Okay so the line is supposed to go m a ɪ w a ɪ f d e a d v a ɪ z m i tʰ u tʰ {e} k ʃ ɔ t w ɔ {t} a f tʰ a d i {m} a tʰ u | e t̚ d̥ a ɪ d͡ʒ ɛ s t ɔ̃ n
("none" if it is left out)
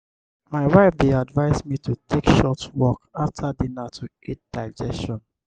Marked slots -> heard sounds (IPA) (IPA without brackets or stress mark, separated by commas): e, k, n